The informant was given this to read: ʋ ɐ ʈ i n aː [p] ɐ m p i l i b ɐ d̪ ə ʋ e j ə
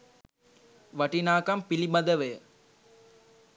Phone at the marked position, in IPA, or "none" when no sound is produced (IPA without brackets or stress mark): k